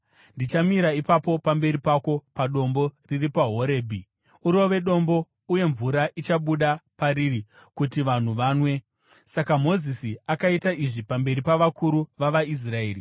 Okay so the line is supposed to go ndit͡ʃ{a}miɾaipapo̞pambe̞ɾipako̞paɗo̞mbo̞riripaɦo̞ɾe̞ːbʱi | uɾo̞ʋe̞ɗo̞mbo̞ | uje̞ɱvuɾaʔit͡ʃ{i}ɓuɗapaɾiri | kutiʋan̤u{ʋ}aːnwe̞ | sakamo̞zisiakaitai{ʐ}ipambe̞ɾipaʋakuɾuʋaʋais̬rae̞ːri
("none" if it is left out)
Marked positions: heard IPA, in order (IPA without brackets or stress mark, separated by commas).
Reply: a, a, ʋ, ʐ